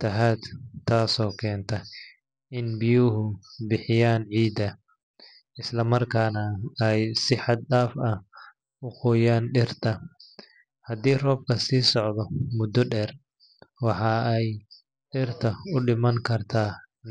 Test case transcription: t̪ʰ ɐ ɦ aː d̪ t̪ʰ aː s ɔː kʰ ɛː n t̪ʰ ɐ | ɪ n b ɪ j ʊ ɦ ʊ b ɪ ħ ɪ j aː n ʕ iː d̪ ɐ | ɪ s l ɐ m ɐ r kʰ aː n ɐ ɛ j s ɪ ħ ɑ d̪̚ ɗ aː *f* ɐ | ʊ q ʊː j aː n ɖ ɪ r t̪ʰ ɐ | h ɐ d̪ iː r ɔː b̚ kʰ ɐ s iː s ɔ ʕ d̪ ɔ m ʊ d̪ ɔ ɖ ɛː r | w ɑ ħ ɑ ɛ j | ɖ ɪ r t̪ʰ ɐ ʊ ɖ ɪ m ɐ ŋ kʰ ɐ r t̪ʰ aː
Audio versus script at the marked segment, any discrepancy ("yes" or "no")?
no